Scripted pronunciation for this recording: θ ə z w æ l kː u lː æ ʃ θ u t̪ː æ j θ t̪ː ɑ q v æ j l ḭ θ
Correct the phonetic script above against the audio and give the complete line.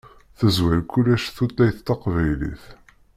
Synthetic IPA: θ ə z w æ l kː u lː æ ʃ θ u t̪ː æ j θ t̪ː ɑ q v æ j l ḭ θ